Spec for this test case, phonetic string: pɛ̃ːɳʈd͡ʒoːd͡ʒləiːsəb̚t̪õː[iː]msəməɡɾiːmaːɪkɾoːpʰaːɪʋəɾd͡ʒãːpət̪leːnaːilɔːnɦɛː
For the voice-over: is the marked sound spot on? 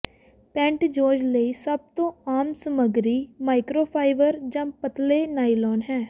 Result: no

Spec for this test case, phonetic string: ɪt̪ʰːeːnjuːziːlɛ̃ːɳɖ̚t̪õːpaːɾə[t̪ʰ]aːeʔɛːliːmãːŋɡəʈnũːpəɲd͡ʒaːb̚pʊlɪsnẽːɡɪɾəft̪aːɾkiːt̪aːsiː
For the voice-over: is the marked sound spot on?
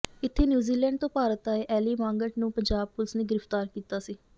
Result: no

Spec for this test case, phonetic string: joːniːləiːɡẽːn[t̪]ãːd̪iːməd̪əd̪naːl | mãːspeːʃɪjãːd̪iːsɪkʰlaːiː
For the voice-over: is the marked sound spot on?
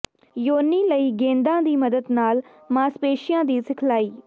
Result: no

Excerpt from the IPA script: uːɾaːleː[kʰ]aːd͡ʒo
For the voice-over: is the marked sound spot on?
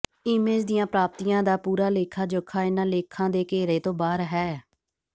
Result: yes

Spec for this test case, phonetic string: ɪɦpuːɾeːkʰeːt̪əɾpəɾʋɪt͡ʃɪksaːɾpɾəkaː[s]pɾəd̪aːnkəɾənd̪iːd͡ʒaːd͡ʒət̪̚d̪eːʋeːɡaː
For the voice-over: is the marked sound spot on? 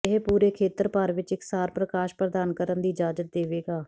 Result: no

